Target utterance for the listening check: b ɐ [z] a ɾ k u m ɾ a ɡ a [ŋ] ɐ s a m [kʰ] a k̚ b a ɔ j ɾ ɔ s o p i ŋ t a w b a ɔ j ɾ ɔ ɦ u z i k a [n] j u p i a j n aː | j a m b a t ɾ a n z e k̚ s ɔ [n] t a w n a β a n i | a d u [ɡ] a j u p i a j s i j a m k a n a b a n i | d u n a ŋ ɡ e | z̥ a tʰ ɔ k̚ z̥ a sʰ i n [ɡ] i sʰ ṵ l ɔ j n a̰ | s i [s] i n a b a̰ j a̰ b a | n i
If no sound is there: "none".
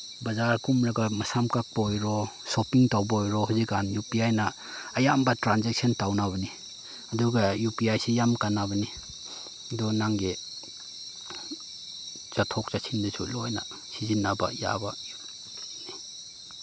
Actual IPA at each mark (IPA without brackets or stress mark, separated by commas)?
z, m, k, n, n, ɡ, d, z